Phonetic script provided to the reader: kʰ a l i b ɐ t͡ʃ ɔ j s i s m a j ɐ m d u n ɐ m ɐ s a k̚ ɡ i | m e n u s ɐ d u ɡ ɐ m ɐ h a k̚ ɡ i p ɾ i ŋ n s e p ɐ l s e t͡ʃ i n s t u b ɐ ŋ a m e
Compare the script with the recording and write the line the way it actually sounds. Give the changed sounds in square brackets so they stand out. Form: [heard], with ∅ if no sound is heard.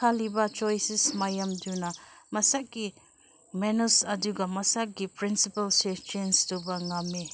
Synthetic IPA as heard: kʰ a l i b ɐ t͡ʃ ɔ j s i s m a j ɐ m d u n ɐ m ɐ s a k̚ ɡ i | m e n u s ɐ d u ɡ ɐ m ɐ [s] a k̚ ɡ i p ɾ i [∅] n s [i] p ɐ l s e t͡ʃ [e] n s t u b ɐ ŋ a m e